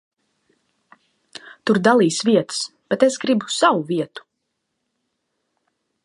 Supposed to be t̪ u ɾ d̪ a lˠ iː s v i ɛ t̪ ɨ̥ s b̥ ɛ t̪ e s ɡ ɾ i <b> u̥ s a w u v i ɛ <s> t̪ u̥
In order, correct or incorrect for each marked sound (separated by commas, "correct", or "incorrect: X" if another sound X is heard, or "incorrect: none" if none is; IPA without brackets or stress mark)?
correct, incorrect: none